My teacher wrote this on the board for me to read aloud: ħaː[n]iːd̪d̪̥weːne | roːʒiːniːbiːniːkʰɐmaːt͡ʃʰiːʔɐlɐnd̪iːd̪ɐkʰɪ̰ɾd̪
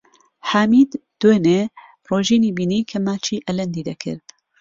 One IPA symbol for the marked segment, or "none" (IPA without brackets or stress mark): m